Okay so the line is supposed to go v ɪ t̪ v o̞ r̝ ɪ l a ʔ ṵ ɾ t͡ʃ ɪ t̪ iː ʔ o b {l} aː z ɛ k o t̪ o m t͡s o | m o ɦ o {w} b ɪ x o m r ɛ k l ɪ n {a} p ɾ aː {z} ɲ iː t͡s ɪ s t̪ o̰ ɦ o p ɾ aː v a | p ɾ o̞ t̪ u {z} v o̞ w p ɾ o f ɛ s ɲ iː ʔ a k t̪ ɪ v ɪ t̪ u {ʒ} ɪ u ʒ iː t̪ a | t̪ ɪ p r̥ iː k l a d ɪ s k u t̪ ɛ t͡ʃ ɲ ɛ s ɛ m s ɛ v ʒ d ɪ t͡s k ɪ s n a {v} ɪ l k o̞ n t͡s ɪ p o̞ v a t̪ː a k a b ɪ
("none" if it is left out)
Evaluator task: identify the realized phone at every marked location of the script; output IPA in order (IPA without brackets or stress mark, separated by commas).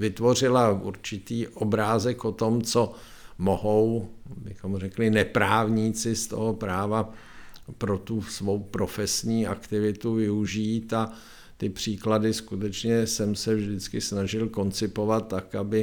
ɾ, w, ɛ, v, s, v, ʒ